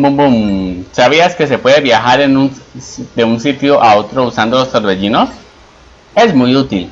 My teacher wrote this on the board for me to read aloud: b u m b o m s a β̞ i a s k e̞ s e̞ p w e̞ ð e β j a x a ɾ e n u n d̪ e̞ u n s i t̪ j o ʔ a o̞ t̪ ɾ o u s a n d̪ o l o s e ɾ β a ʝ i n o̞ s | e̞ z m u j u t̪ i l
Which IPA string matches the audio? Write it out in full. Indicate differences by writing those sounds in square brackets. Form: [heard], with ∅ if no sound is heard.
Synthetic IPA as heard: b u m b [u] m s a β̞ i a s k e̞ s e̞ p w e̞ ð e β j a x a ɾ e n u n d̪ e̞ u n s i t̪ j o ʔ a o̞ t̪ ɾ o u s a n d̪ o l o s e ɾ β [e] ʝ i n o̞ s | e̞ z m u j u t̪ i l